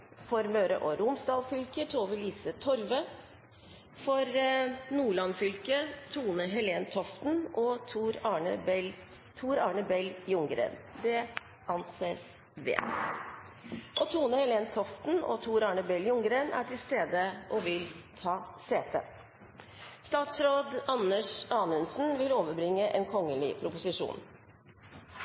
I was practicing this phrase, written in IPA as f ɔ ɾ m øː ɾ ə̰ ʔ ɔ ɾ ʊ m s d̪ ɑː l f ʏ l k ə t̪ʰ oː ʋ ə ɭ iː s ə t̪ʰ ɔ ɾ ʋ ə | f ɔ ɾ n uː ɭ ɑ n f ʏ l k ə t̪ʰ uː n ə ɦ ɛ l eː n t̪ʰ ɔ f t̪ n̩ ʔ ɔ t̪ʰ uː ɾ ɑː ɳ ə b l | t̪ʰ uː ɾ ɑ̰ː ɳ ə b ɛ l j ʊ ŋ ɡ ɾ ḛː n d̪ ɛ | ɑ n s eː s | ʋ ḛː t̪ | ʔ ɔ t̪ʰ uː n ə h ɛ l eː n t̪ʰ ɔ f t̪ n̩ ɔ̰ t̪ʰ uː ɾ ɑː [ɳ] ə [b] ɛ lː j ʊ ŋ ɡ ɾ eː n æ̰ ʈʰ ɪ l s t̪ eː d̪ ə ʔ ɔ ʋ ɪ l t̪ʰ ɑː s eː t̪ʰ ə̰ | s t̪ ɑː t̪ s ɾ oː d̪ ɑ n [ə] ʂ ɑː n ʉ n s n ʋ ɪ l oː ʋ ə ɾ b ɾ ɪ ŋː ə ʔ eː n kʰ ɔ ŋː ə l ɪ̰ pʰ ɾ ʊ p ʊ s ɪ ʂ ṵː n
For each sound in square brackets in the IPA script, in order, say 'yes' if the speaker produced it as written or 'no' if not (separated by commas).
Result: yes, yes, yes